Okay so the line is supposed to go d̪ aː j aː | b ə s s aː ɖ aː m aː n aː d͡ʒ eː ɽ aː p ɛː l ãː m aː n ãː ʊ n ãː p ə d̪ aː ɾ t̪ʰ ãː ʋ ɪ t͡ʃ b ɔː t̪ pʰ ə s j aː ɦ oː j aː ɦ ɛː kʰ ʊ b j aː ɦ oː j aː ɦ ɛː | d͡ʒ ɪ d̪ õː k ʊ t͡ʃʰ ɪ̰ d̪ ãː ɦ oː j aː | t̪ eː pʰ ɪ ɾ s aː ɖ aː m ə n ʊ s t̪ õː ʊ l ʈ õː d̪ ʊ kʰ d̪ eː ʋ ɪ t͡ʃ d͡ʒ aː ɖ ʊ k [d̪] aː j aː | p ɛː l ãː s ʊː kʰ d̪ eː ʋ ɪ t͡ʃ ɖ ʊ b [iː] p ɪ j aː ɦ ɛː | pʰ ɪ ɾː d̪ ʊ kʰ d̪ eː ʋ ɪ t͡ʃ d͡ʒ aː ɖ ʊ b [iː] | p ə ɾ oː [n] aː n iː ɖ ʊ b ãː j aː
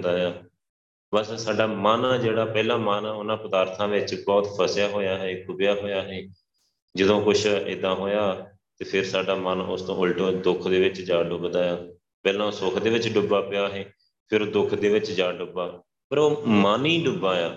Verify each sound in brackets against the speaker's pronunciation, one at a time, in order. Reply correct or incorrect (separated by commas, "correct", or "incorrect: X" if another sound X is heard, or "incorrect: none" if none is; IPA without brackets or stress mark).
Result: correct, incorrect: aː, incorrect: aː, incorrect: m